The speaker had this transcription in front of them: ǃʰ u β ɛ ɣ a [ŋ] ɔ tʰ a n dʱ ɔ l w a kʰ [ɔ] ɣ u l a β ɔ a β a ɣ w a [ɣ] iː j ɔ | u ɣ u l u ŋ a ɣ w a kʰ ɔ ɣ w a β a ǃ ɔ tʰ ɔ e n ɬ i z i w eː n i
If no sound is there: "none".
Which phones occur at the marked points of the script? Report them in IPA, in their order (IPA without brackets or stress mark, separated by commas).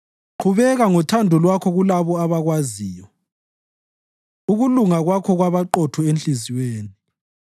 ŋ, ɔ, z